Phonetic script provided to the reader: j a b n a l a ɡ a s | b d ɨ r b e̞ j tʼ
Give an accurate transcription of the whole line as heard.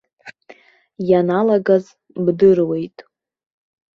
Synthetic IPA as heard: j a n a l a ɡ a z | b d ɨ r w e̞ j tʼ